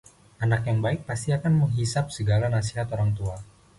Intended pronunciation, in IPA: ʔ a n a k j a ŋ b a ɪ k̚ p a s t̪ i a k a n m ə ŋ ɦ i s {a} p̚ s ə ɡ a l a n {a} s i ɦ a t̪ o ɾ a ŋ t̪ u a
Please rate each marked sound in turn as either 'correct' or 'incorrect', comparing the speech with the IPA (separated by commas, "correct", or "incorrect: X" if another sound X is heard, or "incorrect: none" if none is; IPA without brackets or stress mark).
correct, correct